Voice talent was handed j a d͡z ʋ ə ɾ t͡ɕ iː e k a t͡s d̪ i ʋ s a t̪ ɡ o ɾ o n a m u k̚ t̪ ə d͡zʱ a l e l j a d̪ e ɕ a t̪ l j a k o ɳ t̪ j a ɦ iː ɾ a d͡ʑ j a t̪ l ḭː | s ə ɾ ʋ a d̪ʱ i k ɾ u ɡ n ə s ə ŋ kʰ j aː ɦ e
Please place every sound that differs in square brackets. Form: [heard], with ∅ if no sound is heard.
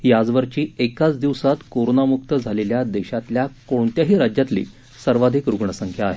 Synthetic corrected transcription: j a d͡z ʋ ə ɾ t͡ɕ iː e k a t͡s d̪ i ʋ s a t̪ [k] o ɾ o n a m u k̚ t̪ ə d͡zʱ a l e l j a d̪ e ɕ a t̪ l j a k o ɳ t̪ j a ɦ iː ɾ a d͡ʑ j a t̪ l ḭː | s ə ɾ ʋ a d̪ʱ i k ɾ u ɡ [ɳ] ə s ə ŋ kʰ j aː ɦ e